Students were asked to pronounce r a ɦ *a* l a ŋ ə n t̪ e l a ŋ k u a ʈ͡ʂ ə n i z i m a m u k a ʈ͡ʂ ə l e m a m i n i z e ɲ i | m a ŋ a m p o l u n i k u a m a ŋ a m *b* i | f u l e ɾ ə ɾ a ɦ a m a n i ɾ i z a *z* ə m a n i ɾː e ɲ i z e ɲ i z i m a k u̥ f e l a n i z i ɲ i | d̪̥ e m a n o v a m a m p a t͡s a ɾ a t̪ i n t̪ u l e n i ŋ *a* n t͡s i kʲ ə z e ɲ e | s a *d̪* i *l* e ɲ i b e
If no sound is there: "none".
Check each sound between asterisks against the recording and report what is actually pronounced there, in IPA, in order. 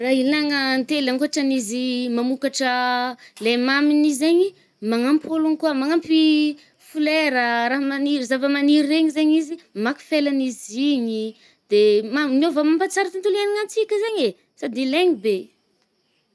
i, p, v, a, d̪, l

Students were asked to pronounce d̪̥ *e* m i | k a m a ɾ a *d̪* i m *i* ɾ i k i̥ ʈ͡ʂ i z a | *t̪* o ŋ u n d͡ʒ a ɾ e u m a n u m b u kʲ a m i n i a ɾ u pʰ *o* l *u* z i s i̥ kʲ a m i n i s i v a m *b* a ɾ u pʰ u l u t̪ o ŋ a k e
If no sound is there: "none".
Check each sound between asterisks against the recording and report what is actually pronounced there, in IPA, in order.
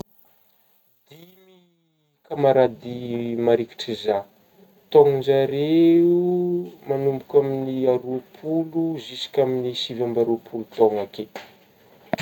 i, d̪, a, t̪, u, u, b

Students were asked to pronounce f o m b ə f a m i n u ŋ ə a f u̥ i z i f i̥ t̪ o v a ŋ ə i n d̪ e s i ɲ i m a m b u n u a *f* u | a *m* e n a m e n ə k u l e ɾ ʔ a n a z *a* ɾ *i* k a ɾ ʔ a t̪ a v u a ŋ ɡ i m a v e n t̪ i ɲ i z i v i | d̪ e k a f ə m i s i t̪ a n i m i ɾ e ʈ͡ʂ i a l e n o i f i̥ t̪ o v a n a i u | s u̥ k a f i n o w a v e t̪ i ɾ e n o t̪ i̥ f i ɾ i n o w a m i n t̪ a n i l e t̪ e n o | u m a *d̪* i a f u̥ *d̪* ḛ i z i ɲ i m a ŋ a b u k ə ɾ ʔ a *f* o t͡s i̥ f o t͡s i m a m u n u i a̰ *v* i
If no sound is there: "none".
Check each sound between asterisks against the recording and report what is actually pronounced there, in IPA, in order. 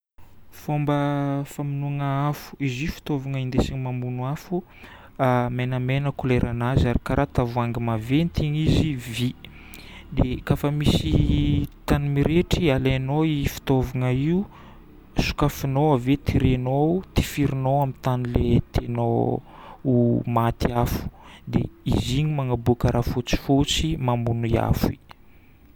f, m, a, i, t̪, d̪, f, f

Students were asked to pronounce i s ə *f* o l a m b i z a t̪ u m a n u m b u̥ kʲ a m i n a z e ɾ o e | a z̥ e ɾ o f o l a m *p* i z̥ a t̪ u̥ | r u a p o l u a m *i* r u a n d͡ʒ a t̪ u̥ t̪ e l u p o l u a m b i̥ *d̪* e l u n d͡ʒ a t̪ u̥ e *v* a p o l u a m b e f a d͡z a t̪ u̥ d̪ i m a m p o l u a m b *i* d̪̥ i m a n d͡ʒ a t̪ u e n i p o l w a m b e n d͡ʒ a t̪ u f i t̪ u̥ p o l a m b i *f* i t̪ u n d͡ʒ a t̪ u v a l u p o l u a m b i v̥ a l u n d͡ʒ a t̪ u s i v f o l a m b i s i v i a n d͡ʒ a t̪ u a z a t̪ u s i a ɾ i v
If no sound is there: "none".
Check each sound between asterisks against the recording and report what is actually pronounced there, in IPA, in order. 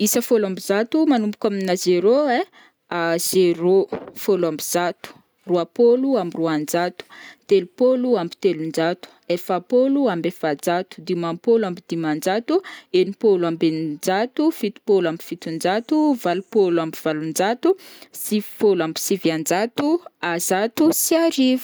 f, b, i, t̪, f, i, f

